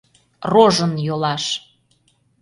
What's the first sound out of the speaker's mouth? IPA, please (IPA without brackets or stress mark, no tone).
r